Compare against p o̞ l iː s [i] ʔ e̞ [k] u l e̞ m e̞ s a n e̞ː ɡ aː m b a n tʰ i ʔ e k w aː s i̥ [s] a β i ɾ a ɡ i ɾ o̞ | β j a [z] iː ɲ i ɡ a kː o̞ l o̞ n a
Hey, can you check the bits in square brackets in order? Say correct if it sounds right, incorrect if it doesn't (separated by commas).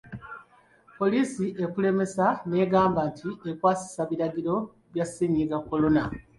correct, correct, correct, incorrect